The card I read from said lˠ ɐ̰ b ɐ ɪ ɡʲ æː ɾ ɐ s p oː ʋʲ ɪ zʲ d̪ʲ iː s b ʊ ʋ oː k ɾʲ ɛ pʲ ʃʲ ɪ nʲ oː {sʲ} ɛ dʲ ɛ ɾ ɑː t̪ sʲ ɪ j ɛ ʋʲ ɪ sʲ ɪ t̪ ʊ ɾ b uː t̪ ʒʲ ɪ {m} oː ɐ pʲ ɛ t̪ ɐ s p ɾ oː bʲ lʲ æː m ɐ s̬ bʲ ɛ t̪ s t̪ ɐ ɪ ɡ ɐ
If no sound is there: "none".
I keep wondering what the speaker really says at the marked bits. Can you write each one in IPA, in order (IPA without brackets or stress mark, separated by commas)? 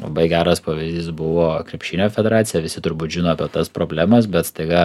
fʲ, n